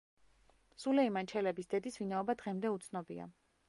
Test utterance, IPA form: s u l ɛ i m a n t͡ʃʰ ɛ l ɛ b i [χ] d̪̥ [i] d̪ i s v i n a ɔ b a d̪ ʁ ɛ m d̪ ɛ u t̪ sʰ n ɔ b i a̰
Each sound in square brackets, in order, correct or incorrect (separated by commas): incorrect, incorrect